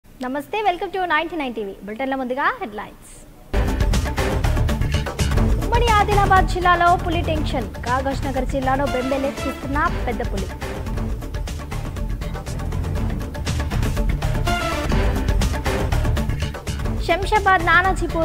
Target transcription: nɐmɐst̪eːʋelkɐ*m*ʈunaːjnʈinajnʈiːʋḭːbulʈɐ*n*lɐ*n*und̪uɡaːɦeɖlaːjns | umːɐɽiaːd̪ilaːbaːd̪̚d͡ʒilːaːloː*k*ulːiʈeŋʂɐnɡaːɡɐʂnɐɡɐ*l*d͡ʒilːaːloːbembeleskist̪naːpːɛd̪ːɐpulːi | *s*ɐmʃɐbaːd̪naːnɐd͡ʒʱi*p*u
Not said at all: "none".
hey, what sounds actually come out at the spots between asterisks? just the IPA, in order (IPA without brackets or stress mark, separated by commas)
m, n, m, p, ɾ, ʃ, p